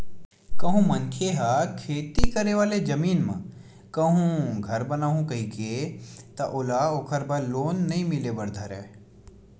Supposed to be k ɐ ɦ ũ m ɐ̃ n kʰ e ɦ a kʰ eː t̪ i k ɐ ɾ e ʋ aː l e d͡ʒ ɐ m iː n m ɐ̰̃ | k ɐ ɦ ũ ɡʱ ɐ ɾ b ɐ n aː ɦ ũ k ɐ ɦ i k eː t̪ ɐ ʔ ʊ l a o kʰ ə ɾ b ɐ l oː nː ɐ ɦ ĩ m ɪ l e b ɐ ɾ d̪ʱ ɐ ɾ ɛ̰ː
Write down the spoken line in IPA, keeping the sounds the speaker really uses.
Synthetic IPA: k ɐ ɦ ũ m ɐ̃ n kʰ e ɦ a kʰ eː t̪ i k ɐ ɾ e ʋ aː l e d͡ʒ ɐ m iː n m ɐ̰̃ | k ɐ ɦ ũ ɡʱ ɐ ɾ b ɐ n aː ɦ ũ k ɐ ɦ i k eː t̪ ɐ ʔ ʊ l a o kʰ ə ɾ b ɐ l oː nː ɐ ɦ ĩ m ɪ l e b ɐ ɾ d̪ʱ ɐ ɾ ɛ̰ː